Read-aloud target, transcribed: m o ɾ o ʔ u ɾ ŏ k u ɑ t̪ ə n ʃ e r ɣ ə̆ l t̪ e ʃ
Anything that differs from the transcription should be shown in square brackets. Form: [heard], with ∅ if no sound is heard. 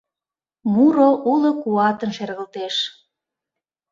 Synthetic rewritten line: m [u] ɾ o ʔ u [l] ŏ k u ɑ t̪ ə n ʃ e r ɣ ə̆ l t̪ e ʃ